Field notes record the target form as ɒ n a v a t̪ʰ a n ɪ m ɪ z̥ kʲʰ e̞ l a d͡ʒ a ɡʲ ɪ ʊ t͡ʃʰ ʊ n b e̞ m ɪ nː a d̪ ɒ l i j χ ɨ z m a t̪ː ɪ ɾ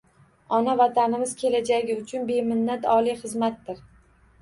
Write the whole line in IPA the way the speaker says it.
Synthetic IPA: ɒ n a v a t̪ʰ a n ɪ m ɪ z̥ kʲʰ e̞ l a d͡ʒ a ɡʲ ɪ ʊ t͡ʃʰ ʊ n b e̞ m ɪ nː a t̪ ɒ l i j χ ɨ z m a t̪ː ɪ ɾ